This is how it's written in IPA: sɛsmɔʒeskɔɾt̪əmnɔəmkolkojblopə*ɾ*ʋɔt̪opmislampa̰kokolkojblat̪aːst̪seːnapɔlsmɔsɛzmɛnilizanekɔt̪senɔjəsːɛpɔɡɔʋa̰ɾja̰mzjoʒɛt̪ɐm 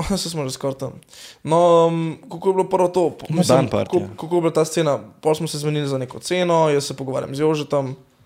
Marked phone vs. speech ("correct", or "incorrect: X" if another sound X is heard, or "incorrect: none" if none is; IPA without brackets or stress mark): correct